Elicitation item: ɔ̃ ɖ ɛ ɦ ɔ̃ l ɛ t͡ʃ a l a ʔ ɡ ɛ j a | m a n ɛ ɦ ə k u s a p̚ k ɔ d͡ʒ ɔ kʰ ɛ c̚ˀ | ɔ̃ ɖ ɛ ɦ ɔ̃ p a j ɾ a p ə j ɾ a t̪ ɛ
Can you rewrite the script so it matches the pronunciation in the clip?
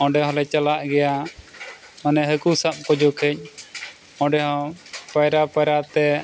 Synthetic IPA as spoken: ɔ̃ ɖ ɛ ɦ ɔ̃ l ɛ t͡ʃ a l a ʔ ɡ ɛ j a | m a n ɛ ɦ ə k u s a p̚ k ɔ d͡ʒ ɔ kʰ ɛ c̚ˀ | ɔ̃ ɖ ɛ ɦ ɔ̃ p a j ɾ a p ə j ɾ a t̪ ɛ